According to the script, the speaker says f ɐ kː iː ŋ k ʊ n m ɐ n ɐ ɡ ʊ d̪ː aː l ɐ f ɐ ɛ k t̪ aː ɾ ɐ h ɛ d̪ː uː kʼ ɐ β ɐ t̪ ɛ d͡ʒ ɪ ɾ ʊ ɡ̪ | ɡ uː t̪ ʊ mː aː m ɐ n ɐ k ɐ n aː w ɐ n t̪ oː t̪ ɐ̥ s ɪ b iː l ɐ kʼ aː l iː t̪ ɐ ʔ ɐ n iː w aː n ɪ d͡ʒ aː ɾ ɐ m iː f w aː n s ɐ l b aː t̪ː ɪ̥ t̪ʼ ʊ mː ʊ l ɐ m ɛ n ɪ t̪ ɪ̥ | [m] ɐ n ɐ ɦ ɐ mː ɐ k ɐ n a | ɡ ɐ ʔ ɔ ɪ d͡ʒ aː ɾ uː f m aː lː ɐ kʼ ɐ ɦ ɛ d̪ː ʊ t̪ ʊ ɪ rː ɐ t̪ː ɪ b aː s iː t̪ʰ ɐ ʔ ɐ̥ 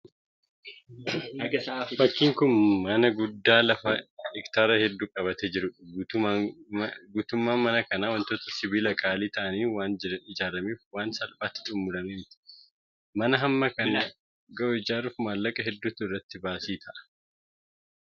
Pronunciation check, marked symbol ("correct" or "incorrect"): correct